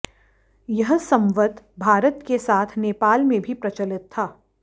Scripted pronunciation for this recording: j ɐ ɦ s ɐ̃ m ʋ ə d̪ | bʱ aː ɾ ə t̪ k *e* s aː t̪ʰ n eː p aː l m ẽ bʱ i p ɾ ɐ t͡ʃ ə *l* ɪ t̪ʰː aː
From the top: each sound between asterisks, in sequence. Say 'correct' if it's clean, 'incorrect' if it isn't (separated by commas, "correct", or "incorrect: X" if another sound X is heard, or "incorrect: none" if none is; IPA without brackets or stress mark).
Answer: correct, correct